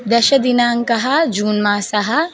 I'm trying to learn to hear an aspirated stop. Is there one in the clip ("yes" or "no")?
no